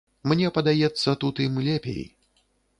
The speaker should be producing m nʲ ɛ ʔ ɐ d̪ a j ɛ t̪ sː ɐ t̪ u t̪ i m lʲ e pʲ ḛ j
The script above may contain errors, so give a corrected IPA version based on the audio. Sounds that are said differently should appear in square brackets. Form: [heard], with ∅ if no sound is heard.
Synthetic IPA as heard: m nʲ ɛ [p] ɐ d̪ a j ɛ t̪ sː ɐ t̪ u t̪ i m lʲ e pʲ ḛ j